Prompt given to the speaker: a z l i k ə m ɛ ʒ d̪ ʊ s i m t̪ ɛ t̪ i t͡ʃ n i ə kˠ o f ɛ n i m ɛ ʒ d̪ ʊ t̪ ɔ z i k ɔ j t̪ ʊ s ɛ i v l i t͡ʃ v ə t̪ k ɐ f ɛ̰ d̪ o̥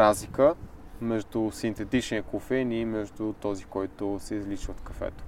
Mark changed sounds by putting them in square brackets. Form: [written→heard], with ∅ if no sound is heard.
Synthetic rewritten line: a z l i k ə m ɛ ʒ d̪ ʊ s i [m→n] t̪ ɛ t̪ i t͡ʃ n i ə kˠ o f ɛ n i m ɛ ʒ d̪ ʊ t̪ ɔ z i k ɔ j t̪ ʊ s ɛ i [v→z] l i t͡ʃ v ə t̪ k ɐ f ɛ̰ [d̪→t̪] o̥